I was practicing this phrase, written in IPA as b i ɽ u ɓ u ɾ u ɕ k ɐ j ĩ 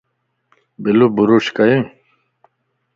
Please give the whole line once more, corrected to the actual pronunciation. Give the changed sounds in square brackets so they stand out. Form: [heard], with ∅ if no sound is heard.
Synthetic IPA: b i [l] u [b] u ɾ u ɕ k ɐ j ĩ